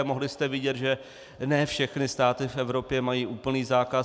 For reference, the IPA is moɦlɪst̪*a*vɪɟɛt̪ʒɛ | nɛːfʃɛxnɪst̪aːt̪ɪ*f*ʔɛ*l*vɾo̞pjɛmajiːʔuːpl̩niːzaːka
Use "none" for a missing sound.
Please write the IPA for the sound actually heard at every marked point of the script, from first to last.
ɛ, f, none

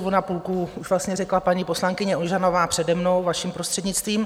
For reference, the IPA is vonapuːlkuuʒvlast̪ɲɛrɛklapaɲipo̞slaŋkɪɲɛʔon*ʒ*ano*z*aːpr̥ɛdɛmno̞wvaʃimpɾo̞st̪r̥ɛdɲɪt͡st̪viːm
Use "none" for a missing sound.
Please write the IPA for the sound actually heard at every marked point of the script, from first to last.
ʒ, v

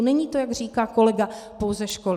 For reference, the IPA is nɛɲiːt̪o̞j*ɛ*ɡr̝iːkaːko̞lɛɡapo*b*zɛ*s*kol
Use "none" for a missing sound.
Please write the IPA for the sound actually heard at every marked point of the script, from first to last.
a, w, ʃ

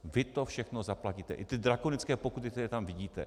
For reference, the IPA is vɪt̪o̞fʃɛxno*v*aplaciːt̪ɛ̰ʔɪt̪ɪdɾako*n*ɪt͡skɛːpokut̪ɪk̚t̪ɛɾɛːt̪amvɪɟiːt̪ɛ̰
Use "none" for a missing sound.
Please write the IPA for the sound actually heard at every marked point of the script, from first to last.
z, n

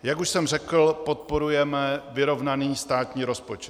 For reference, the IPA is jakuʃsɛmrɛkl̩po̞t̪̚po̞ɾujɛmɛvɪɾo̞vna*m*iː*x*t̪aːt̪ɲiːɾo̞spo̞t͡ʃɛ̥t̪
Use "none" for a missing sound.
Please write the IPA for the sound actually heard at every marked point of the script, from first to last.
n, s

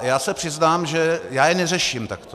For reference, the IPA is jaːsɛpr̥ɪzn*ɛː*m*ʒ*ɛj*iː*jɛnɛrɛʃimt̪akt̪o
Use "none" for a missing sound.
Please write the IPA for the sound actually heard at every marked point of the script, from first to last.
aː, ʒ, aː

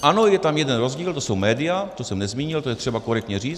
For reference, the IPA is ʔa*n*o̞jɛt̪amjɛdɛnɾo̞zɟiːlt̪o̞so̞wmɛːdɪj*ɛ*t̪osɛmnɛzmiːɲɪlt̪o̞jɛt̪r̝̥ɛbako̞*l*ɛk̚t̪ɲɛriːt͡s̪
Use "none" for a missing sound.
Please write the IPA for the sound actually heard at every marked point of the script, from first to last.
n, a, ɾ

